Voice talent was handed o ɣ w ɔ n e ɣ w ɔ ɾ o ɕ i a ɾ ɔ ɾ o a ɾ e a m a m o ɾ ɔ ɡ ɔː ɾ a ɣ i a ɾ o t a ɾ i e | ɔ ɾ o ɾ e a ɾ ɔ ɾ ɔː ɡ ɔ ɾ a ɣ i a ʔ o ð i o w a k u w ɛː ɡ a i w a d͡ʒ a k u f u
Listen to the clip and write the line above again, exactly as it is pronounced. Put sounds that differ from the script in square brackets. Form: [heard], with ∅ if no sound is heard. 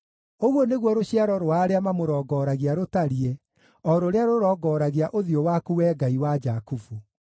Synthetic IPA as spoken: o ɣ w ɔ n e ɣ w ɔ ɾ o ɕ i a ɾ ɔ ɾ o a ɾ e a m a m o ɾ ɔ ɡ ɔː ɾ a ɣ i a ɾ o t a ɾ i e | ɔ ɾ o ɾ e a ɾ [o] ɾ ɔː ɡ ɔ ɾ a ɣ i a ʔ o ð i o w a k u w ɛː ɡ a i w a d͡ʒ a k u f u